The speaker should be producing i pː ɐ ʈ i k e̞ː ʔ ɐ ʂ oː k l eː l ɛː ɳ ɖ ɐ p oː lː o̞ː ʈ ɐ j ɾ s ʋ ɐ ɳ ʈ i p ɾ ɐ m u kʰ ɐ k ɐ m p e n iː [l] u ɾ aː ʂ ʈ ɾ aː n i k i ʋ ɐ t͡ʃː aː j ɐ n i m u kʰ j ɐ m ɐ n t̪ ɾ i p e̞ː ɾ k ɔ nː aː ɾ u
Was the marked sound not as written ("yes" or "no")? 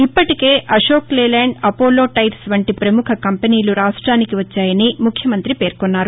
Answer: no